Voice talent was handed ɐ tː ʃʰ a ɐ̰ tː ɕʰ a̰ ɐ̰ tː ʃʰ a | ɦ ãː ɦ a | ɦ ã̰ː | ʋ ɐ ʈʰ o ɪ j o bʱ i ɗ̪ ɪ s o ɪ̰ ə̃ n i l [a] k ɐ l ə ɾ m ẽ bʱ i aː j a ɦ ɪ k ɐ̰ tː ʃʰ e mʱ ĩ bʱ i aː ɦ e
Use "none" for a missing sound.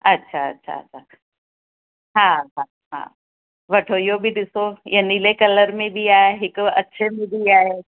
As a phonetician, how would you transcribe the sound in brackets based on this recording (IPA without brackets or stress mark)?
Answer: e